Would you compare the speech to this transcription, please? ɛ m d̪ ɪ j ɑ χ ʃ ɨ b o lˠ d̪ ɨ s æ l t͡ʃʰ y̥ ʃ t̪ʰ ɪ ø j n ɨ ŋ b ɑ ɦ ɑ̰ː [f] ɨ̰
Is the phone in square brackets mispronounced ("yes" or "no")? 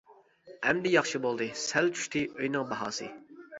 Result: yes